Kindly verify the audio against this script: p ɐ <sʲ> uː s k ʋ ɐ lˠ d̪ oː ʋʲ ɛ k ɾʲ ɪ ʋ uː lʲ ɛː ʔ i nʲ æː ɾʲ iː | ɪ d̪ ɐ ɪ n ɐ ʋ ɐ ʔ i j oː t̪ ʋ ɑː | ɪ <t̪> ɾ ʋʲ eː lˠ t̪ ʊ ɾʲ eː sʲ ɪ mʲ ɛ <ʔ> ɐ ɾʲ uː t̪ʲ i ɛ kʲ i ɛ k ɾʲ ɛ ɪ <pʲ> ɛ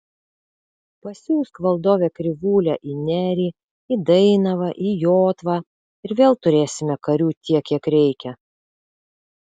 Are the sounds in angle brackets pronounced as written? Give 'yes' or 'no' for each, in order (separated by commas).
yes, no, no, no